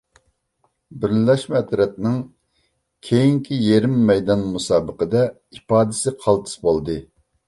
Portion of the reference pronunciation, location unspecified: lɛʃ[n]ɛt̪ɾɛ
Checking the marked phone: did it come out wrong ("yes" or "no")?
yes